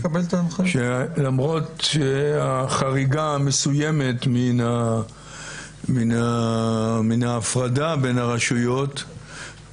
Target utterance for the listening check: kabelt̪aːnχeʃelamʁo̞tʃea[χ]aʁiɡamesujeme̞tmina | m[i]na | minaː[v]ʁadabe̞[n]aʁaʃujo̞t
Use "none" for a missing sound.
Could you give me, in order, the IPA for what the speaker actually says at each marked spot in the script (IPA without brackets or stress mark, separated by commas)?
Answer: χ, i, f, n